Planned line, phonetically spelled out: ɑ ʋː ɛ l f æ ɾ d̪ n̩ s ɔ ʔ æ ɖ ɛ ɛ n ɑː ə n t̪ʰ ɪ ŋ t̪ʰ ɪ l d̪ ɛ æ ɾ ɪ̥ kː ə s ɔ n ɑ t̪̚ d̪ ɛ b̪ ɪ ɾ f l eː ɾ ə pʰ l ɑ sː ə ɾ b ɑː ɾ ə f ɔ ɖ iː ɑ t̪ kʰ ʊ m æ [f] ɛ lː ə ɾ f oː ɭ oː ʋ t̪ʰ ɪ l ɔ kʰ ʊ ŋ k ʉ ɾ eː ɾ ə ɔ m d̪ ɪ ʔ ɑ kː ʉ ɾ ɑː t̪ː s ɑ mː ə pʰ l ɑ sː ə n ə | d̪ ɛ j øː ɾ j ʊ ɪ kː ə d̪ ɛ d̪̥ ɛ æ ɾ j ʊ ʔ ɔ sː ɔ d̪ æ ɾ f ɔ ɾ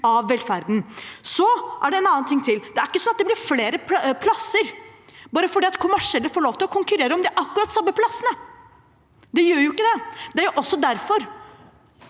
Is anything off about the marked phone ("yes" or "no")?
yes